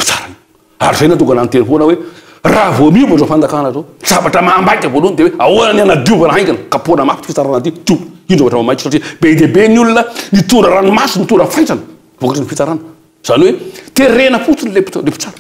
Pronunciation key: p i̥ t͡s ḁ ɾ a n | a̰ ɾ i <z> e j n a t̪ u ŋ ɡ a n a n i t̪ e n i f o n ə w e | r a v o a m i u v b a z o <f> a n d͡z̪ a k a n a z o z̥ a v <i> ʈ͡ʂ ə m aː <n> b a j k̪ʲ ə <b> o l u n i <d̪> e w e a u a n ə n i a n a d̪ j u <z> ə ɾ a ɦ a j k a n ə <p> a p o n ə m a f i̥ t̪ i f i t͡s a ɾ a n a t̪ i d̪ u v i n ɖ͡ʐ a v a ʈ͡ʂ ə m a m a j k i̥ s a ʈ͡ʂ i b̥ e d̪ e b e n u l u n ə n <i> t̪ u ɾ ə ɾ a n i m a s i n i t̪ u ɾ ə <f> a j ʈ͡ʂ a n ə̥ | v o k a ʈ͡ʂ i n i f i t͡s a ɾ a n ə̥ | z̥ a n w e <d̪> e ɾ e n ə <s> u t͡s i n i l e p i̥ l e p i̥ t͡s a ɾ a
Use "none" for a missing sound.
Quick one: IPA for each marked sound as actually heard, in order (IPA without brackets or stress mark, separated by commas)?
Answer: z, f, a, m, v, d̪, v, k, i, f, t̪, f